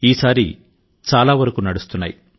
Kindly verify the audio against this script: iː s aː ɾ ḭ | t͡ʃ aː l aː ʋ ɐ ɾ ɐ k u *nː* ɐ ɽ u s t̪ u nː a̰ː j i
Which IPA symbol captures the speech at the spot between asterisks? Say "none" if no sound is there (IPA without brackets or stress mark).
n